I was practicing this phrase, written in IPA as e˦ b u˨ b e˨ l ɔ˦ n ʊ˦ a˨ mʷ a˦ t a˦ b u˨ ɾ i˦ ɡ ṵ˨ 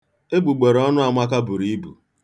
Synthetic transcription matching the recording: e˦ b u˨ ɡ͡b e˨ ɾ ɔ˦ n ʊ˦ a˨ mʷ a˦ k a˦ b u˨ ɾ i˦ b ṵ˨